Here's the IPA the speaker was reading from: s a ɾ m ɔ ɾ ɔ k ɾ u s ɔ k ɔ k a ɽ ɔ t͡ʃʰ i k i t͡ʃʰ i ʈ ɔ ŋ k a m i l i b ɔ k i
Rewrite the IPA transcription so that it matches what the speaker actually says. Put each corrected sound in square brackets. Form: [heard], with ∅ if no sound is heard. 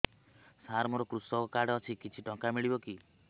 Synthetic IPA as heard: s a ɾ m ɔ ɾ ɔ k ɾ u s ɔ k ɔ k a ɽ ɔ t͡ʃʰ i k i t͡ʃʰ i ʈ ɔ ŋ k a m i [ɭ] i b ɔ k i